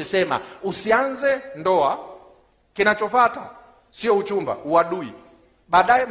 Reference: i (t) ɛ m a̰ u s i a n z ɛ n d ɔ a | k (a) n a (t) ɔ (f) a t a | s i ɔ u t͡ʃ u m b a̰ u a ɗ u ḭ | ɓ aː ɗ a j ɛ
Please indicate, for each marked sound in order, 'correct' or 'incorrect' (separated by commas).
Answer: incorrect, incorrect, incorrect, correct